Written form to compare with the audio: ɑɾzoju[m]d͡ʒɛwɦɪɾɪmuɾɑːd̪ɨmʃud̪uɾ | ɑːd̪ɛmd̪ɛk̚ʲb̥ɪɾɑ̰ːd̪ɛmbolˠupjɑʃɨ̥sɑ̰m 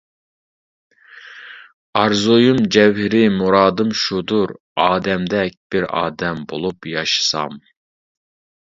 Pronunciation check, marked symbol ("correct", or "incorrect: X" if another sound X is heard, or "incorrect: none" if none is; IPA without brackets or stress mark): correct